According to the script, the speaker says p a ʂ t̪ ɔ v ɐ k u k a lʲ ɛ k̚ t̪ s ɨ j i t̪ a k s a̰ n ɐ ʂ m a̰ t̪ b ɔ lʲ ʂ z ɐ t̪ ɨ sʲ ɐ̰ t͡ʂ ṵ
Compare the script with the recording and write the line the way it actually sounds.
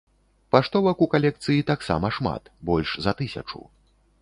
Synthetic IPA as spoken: p a ʂ t̪ ɔ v ɐ k u k a lʲ ɛ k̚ t̪ s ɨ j i t̪ a k s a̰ m ɐ ʂ m a̰ t̪ b ɔ lʲ ʂ z ɐ t̪ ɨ sʲ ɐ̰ t͡ʂ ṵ